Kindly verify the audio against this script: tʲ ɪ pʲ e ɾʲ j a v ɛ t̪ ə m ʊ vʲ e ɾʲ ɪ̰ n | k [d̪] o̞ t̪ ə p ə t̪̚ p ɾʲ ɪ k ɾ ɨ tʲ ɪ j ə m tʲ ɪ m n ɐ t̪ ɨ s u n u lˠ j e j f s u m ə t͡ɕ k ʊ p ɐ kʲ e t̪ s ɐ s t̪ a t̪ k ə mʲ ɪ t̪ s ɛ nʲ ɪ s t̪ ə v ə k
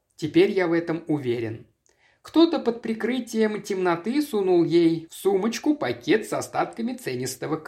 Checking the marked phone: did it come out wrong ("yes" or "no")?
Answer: yes